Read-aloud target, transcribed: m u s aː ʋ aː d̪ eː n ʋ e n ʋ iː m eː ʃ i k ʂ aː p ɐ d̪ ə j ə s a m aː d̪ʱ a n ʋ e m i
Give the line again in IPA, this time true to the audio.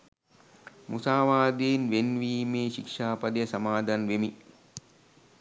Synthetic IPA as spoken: m u s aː ʋ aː d̪ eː n ʋ e n ʋ iː m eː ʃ i k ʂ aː p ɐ d̪ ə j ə s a m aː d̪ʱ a n ʋ e m i